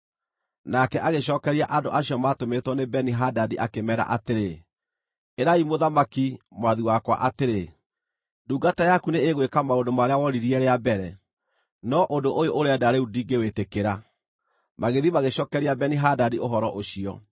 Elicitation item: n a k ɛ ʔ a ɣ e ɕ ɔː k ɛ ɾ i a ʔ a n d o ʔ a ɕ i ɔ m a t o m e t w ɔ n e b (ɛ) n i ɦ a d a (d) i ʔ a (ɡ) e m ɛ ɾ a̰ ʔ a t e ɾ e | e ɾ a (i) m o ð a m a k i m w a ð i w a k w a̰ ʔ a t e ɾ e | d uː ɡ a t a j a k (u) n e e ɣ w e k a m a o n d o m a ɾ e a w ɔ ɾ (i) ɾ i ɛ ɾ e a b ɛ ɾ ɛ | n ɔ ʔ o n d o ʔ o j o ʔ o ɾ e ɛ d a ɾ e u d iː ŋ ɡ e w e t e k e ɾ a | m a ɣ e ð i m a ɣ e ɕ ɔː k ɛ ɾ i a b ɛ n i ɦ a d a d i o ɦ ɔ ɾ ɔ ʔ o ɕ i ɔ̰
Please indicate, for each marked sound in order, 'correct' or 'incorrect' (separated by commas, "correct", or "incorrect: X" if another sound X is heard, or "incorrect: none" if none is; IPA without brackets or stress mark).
correct, correct, incorrect: k, correct, correct, correct